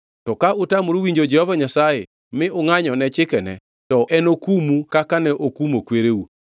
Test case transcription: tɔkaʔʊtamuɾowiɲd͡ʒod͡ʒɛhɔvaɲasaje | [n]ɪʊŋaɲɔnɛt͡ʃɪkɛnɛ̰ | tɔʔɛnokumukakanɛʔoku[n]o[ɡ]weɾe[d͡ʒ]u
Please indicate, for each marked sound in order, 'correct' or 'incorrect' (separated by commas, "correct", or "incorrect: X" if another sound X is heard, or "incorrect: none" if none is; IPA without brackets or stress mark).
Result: incorrect: m, incorrect: m, incorrect: k, incorrect: none